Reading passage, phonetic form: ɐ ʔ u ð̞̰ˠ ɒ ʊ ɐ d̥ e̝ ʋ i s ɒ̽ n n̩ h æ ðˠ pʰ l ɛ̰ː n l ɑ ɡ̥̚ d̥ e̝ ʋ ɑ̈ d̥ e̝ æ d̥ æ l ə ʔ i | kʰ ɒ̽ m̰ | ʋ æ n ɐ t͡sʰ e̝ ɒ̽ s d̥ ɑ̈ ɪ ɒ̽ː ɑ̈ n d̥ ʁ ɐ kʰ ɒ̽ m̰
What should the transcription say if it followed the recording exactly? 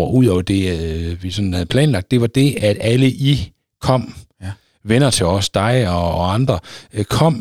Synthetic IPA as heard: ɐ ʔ u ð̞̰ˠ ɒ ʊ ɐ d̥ e̝ ʋ i s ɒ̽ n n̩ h æ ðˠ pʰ l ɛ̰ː n l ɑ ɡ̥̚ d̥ e̝ ʋ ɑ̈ d̥ e̝ æ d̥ æ l ə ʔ i | kʰ ɒ̽ m̰ | ʋ e n ɐ t͡sʰ e̝ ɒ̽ s d̥ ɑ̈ ɪ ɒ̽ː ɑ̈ n d̥ ʁ ɐ kʰ ɒ̽ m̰